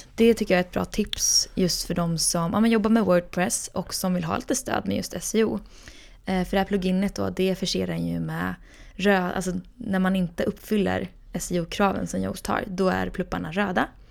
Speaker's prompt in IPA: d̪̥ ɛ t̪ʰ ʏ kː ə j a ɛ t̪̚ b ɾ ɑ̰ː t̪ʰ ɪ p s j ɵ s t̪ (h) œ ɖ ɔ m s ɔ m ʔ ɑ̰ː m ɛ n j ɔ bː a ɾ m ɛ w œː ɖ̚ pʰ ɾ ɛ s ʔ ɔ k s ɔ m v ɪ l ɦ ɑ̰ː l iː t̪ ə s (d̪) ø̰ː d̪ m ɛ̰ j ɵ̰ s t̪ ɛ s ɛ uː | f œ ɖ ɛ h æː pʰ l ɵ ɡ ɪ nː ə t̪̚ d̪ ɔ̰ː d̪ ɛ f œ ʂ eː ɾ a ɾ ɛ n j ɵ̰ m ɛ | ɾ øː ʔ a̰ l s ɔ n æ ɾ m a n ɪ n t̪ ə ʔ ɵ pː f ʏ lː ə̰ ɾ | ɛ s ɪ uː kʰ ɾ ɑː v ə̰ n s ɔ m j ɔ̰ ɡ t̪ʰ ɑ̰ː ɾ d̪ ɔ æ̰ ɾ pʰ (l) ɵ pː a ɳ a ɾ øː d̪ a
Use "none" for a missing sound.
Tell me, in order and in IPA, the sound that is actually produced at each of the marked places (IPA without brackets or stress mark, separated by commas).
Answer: f, t̪, l